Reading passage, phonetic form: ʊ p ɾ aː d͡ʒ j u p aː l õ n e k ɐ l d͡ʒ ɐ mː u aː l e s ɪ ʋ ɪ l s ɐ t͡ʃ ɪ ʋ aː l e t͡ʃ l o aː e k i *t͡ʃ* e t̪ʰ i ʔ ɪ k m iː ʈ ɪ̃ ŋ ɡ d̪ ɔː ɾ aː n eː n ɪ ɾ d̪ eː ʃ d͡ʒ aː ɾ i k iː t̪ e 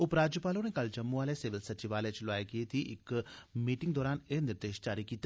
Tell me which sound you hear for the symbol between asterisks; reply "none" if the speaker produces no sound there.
none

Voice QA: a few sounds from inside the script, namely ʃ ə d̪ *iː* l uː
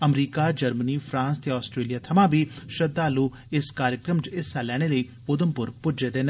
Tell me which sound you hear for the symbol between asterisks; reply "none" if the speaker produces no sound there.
aː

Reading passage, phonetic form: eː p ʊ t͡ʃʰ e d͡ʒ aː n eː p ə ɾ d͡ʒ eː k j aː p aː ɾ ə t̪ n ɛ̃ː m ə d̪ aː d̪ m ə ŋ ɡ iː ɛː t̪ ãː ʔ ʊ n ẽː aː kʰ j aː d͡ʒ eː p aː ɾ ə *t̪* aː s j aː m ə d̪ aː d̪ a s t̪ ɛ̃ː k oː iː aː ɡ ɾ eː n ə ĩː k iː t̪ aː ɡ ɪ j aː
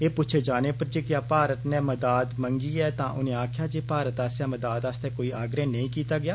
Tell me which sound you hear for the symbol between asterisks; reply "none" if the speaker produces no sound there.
t̪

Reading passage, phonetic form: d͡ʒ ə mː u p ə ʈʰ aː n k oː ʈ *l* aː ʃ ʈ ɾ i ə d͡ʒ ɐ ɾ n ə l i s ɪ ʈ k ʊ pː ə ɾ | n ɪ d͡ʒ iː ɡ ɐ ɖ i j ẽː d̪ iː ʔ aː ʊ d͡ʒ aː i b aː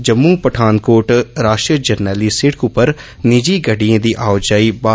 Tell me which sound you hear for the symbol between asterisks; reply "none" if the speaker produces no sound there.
ɾ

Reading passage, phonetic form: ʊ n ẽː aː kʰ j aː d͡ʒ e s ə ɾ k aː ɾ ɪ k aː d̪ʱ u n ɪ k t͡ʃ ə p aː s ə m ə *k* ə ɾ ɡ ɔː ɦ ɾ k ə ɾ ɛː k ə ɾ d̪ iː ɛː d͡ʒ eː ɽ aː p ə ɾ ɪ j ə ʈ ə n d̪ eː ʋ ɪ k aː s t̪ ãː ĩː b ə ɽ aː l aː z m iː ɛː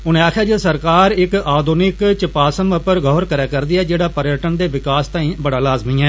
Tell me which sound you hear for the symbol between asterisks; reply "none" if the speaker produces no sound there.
p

